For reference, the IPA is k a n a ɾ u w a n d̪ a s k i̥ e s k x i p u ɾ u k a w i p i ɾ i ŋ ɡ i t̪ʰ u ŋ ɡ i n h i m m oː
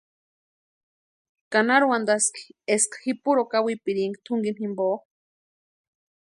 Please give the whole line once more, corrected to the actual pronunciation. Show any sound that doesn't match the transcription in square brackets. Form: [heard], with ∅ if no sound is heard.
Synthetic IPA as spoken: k a n a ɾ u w a n d̪ a s k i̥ e s k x i p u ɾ [o] k a w i p i ɾ i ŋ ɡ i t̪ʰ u ŋ ɡ i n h i m [b] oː